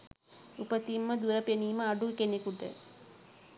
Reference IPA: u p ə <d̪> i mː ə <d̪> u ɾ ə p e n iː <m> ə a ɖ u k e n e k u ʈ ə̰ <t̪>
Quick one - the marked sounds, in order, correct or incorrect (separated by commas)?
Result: incorrect, correct, correct, incorrect